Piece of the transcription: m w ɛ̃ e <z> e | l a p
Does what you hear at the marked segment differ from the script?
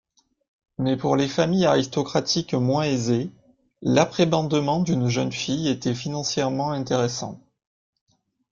no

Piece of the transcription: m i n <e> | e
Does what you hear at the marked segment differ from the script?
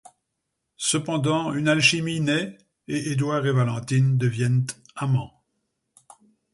yes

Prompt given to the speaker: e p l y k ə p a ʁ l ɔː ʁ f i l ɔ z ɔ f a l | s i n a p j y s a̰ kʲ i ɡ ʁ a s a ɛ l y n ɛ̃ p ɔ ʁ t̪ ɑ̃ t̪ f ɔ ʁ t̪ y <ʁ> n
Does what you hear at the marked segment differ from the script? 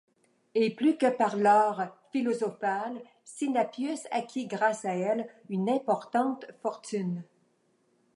yes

